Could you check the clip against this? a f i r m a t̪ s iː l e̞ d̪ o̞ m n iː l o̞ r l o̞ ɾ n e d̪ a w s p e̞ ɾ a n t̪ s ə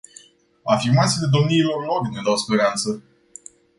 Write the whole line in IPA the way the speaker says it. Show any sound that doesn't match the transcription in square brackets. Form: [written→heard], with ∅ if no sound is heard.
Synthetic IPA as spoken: a f i r m a t̪ s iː l e̞ d̪ o̞ m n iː l o̞ r l o̞ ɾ n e d̪ a w s p e̞ ɾ a n t̪ s ə